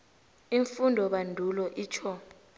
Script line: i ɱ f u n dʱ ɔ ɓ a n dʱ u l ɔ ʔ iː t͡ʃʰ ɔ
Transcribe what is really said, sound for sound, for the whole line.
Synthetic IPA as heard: i ɱ f u n dʱ ɔ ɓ a n dʱ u l ɔ ʔ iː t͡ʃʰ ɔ